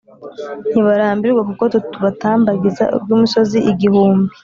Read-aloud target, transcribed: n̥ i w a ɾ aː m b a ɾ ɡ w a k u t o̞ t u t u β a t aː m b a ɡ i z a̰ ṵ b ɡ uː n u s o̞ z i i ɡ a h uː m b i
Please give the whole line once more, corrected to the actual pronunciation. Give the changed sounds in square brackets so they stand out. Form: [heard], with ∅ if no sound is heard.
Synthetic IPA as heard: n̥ i [β] a ɾ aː m b [i] ɾ ɡ w a k u [k] o̞ t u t u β a t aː m b a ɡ i z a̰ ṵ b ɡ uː [m] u s o̞ z i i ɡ [i] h uː m b i